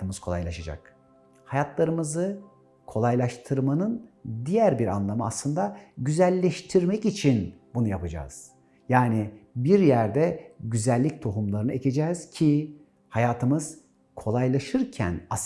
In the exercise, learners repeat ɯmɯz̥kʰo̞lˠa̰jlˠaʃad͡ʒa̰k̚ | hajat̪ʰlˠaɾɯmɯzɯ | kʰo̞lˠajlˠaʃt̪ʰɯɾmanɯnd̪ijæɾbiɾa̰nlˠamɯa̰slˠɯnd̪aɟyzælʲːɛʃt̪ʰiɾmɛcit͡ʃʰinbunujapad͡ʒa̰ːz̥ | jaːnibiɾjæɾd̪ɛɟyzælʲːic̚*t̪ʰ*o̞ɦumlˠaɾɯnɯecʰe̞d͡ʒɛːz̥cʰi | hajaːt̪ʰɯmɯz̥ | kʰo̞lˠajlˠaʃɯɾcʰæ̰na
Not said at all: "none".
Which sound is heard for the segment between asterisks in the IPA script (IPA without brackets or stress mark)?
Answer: t̪ʰ